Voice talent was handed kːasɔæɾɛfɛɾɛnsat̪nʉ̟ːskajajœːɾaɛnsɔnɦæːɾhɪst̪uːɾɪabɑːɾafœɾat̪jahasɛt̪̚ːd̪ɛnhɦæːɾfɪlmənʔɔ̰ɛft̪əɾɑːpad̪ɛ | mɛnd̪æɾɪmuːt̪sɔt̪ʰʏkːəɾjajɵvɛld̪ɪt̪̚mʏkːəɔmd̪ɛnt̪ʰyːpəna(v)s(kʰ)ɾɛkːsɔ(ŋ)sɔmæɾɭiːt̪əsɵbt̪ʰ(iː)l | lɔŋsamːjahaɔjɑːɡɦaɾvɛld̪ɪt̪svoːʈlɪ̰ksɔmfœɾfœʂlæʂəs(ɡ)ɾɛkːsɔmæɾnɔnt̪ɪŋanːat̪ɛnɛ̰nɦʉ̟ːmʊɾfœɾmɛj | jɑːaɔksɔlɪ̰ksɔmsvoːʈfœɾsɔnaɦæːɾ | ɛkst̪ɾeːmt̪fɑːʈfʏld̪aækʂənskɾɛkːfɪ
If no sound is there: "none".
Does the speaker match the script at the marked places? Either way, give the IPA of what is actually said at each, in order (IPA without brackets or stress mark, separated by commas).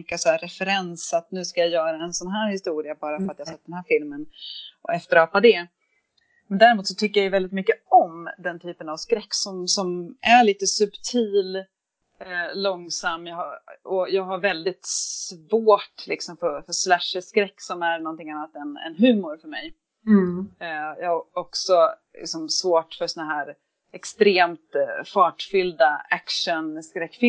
v, k, m, iː, k